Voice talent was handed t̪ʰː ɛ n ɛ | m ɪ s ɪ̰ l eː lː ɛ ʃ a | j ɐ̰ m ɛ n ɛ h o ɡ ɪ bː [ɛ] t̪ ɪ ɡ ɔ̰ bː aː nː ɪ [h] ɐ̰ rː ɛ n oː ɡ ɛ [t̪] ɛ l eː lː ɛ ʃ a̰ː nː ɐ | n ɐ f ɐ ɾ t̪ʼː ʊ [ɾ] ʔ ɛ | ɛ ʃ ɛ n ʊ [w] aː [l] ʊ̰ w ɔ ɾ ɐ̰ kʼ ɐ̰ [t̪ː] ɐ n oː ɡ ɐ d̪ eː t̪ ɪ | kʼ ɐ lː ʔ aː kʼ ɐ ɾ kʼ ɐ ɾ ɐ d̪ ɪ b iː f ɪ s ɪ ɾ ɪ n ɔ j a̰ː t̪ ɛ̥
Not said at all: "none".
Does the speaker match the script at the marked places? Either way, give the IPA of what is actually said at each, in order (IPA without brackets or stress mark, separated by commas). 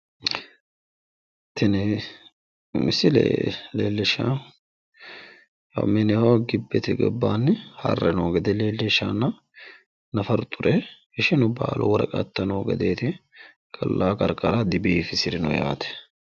ɛ, h, d̪, ɾ, b, l, t̪ː